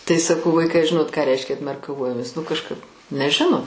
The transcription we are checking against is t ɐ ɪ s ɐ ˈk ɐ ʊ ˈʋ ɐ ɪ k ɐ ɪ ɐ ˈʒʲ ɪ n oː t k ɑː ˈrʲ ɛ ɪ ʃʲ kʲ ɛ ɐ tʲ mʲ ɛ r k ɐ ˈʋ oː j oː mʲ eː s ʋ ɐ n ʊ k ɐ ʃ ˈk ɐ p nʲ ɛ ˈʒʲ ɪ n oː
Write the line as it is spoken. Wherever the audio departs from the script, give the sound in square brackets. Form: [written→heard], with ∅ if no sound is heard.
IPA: t ɐ ɪ s ɐ ˈk ɐ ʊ ˈʋ ɐ ɪ k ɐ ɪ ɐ ˈʒʲ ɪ n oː t k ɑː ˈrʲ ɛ ɪ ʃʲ kʲ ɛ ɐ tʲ mʲ ɛ r k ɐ ˈʋ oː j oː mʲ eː s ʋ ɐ n ʊ k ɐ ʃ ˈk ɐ p nʲ ɛ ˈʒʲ ɪ n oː